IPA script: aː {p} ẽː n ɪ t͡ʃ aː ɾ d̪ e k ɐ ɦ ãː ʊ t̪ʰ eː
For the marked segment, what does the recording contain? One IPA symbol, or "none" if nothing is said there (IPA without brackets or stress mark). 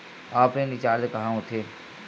p